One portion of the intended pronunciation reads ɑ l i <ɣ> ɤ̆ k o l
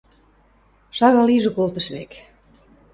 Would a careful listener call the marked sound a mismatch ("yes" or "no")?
yes